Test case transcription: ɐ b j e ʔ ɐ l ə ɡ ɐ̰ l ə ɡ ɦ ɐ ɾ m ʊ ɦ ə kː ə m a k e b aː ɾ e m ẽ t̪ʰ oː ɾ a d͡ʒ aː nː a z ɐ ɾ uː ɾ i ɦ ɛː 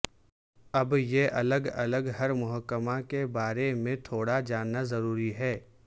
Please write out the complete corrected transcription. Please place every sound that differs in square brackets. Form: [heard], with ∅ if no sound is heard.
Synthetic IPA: ɐ b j e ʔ ɐ l ə ɡ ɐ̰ l ə ɡ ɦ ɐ ɾ m ʊ ɦ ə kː ə m a k e b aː ɾ e m ẽ t̪ʰ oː [ɽ] a d͡ʒ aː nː a z ɐ ɾ uː ɾ i ɦ ɛː